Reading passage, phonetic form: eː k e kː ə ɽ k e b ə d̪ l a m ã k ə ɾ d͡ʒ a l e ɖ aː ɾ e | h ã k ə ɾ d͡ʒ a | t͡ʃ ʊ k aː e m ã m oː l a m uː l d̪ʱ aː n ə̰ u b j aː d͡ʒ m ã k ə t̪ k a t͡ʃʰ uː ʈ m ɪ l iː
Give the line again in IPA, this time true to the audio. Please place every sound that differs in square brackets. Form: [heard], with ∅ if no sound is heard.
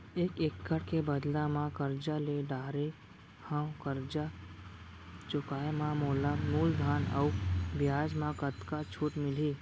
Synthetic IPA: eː k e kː ə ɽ k e b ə d̪ l a m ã k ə ɾ d͡ʒ a l e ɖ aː ɾ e | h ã k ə ɾ d͡ʒ a | t͡ʃ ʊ k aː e m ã m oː l a m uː l d̪ʱ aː n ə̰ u b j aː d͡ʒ m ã k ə t̪ k a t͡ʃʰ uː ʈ m ɪ l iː